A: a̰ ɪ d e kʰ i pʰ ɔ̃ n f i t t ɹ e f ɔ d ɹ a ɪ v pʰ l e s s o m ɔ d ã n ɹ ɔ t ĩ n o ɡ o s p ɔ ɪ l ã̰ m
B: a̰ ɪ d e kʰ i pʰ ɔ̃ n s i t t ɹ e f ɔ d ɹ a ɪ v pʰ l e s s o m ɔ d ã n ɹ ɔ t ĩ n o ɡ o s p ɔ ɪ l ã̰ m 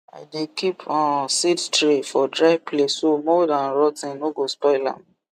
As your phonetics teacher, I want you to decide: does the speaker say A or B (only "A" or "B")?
B